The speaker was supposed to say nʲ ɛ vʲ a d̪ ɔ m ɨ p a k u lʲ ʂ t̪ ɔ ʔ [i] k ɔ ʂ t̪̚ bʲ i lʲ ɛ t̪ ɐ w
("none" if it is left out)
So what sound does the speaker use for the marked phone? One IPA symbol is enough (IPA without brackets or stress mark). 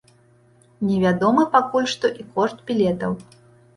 i